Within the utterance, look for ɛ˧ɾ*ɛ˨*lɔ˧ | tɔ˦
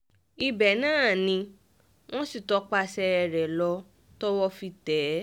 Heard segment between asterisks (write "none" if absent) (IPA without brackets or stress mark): ɛ˨